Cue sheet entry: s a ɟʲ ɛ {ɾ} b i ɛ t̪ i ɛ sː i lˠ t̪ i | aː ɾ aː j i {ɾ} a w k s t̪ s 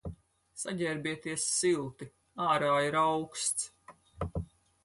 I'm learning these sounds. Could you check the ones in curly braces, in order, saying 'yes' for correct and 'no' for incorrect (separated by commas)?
yes, yes